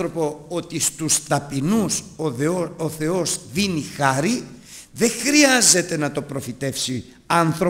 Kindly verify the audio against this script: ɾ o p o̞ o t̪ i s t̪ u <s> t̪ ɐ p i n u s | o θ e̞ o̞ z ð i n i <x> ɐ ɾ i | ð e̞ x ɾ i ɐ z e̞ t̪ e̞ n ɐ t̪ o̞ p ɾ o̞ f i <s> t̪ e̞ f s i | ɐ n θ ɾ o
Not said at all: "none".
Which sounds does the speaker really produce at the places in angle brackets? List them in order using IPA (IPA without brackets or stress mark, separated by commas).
s, x, none